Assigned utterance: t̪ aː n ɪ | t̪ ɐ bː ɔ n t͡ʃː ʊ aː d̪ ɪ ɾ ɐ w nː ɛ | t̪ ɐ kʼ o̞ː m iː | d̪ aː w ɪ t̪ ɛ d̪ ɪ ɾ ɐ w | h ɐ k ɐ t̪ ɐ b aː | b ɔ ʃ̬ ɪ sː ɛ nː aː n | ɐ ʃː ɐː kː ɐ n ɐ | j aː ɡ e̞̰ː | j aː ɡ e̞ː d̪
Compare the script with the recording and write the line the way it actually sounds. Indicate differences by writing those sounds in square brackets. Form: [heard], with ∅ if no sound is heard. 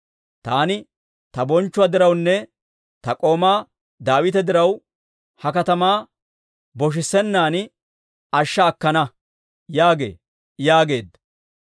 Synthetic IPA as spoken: t̪ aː n ɪ | t̪ ɐ [b] ɔ n t͡ʃː ʊ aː d̪ ɪ ɾ ɐ w nː ɛ | t̪ ɐ kʼ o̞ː m [aː] | d̪ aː w ɪ t̪ ɛ d̪ ɪ ɾ ɐ w | h ɐ k ɐ t̪ ɐ [m] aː | b ɔ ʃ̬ ɪ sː ɛ nː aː n | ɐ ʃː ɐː kː ɐ n ɐ | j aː ɡ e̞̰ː | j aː ɡ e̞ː d̪